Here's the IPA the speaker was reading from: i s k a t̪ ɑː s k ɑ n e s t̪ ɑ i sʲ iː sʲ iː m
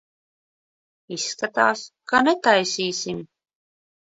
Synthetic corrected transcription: i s k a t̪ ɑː s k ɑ n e t̪ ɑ j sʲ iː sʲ i m